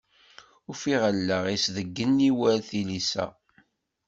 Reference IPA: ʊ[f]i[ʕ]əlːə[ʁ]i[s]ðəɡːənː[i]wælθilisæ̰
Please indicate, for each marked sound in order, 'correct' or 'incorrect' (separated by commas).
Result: correct, incorrect, correct, correct, correct